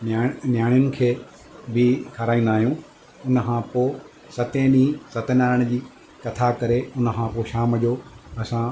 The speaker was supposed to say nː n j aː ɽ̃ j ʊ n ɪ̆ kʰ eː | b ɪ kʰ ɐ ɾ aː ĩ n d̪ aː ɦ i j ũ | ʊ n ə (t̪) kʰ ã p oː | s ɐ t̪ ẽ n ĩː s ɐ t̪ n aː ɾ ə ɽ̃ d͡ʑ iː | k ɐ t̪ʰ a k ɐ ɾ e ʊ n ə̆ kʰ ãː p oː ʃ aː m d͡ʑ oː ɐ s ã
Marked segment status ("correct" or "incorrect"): incorrect